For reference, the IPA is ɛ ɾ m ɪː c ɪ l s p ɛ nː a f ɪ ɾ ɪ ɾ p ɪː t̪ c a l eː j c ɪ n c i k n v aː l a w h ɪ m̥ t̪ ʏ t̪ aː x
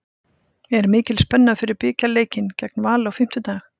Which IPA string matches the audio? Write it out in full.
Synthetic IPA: ɛ ɾ m ɪː c ɪ l s p ɛ nː a f ɪ ɾ ɪ ɾ p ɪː c a l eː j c ɪ n c ɛ k n v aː l a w f ɪ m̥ t̪ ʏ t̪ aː x

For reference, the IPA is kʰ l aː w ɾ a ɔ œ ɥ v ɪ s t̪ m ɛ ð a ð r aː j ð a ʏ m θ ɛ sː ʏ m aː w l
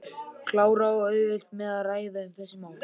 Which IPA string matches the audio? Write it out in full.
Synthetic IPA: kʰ l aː w ɾ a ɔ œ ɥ v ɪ s t̪ m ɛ ð a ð r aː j ð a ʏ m θ ɛ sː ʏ m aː w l

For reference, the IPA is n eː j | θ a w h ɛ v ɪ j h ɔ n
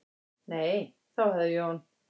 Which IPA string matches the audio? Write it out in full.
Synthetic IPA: n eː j | θ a w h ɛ ð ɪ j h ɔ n

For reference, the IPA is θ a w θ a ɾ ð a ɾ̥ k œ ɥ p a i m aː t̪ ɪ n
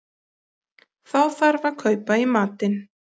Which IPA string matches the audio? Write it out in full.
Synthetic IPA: θ a w θ a ɾ v a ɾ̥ kʰ œ ɥ p a i m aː t̪ ɪ n

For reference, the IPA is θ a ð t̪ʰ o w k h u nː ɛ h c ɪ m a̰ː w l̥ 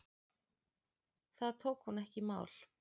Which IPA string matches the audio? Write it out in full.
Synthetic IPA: θ a ð t̪ʰ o w k h u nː ɛ h c ɪ m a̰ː w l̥

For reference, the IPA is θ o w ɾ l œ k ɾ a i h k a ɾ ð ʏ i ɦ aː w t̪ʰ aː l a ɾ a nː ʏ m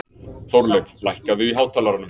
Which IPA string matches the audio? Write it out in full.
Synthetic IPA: θ o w ɾ l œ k l a j h k a ð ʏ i ɦ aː w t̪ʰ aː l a ɾ a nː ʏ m

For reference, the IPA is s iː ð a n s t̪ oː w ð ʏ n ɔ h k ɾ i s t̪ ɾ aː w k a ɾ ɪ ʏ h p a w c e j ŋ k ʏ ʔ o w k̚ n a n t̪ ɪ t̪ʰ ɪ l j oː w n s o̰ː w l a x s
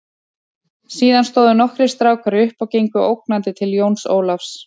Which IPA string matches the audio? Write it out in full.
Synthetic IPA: s iː ð a n s t̪ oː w ð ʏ n ɔ h k ɾ ɪ s t̪ ɾ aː w k a ɾ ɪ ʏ h p a w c e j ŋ k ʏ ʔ o w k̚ n a n t̪ ɪ t̪ʰ ɪ l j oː w n s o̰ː w l a f s

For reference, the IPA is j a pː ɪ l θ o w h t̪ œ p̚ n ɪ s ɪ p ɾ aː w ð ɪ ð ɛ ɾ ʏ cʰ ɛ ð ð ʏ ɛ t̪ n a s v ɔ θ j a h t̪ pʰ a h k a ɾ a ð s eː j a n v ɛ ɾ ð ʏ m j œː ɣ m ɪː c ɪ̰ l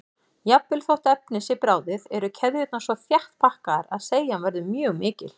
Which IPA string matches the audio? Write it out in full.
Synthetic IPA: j a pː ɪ l θ o w h t̪ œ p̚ n ɪ s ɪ p ɾ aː w ð ɪ ð ɛ ɾ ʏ cʰ ɛ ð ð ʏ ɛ t̪ n a s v ɔ θ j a h t̪ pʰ a h k a ɾ a ð s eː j a n v ɛ ɾ ð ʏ m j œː ɣ m ɪː c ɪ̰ l

